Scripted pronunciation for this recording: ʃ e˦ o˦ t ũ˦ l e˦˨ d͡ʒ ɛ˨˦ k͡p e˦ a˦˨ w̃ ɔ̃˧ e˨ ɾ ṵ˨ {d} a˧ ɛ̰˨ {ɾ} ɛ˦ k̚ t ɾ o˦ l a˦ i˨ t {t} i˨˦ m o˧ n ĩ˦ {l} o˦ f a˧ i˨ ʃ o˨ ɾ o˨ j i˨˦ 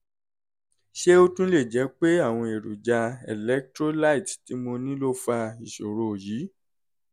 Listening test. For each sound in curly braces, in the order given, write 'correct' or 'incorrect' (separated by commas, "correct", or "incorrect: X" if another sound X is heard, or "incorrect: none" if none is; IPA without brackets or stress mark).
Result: incorrect: d͡ʒ, incorrect: l, correct, correct